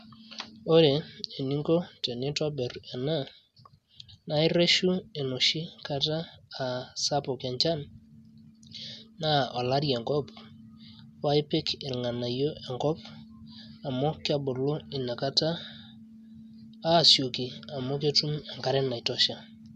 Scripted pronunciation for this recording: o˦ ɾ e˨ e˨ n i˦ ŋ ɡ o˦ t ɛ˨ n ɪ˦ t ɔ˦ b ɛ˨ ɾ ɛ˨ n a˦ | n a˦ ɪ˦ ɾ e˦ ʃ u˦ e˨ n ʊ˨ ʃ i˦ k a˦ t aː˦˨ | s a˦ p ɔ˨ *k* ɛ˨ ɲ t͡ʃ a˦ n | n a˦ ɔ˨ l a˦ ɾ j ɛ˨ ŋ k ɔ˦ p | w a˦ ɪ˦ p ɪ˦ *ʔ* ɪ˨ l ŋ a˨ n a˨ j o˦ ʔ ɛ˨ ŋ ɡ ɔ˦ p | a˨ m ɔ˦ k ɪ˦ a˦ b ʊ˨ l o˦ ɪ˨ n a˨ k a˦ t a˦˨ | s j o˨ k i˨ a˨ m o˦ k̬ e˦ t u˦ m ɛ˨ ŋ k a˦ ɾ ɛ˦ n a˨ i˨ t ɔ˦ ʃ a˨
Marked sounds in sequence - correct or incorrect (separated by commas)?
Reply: correct, incorrect